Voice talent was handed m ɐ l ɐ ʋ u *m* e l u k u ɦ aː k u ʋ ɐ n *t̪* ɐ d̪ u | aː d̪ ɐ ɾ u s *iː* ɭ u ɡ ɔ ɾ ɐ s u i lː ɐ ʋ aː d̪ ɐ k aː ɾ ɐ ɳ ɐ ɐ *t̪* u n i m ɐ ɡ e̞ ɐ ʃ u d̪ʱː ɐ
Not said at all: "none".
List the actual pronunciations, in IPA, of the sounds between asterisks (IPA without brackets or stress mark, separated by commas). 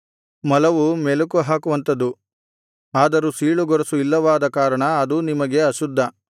m, t̪, iː, d̪